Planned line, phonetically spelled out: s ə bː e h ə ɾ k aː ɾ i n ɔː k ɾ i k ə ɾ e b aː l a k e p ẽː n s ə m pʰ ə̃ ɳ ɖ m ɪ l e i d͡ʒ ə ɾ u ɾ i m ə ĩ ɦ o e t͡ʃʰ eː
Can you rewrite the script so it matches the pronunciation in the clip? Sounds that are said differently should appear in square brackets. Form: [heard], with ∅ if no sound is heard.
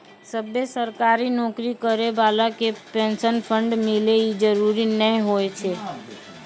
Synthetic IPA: s ə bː e [s] ə ɾ k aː ɾ i n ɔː k ɾ i k ə ɾ e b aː l a k e p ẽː n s ə [n] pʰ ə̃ ɳ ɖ m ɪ l e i d͡ʒ ə ɾ u ɾ i [n] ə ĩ ɦ o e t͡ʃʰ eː

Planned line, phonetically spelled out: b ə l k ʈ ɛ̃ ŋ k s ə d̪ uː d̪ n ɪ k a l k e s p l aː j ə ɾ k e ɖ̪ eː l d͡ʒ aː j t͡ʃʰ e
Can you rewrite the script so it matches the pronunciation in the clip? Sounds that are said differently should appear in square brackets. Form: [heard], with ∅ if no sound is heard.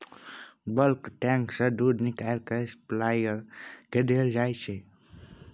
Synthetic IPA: b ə l k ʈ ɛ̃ ŋ k s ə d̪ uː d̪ n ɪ k a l k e s p l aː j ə ɾ k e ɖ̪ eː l d͡ʒ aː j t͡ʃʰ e

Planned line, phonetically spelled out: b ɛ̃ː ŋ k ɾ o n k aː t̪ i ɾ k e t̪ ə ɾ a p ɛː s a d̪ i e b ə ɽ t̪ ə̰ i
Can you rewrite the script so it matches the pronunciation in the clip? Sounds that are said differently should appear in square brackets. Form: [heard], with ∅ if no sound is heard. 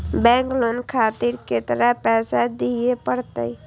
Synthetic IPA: b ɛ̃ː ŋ k [l] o n [kʰ] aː t̪ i ɾ k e t̪ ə ɾ a p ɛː s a d̪ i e [p] ə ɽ t̪ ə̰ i

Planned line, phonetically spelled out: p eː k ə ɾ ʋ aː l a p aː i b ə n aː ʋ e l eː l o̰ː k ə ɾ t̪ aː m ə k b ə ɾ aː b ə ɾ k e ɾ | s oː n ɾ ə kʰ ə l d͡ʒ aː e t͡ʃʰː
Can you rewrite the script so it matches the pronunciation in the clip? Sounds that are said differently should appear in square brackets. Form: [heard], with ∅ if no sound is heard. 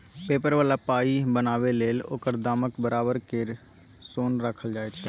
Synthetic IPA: p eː [p] ə ɾ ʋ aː l a p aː i b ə n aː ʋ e l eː l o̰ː k ə ɾ [d̪] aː m ə k b ə ɾ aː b ə ɾ k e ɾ | s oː n ɾ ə kʰ ə l d͡ʒ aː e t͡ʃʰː

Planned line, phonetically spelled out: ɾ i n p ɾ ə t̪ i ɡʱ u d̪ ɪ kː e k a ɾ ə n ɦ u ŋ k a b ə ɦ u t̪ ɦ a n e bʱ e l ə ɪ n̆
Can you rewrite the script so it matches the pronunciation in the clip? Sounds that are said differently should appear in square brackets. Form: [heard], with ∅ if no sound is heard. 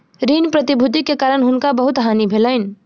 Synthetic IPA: ɾ i n p ɾ ə t̪ i [bʱ] u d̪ [i] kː e k a ɾ ə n ɦ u [n] k a b ə ɦ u t̪ ɦ a n [i] bʱ e l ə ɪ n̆

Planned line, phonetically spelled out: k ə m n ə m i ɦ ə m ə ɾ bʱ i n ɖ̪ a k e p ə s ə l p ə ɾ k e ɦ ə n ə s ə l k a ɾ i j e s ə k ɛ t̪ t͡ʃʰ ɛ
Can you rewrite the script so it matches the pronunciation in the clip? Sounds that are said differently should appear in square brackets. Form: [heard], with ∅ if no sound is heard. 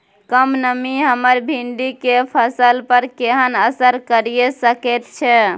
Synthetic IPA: k ə m n ə m i ɦ ə m ə ɾ bʱ i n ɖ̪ [i] k e [pʰ] ə s ə l p ə ɾ k e ɦ ə n ə s ə [ɾ] k [ə] ɾ i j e s ə k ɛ t̪ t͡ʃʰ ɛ

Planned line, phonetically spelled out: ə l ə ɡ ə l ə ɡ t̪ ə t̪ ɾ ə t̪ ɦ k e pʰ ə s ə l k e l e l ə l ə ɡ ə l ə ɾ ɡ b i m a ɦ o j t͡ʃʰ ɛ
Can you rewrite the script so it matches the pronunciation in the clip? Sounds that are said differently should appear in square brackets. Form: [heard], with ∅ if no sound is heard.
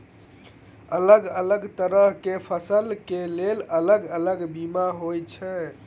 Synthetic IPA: ə l ə ɡ ə l ə ɡ t̪ ə [∅] ɾ ə [∅] ɦ k e pʰ ə s ə l k e l e l ə l ə ɡ ə l ə [∅] ɡ b i m a ɦ o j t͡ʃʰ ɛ

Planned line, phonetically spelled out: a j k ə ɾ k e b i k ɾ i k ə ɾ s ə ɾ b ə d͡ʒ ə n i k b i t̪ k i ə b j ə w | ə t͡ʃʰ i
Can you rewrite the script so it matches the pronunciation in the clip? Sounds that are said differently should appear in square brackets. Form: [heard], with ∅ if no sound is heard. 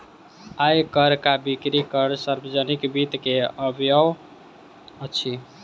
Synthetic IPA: a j k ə ɾ k [a] b i k ɾ i k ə ɾ s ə ɾ b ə d͡ʒ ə n i k b i t̪ k [e] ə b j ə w | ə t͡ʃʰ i

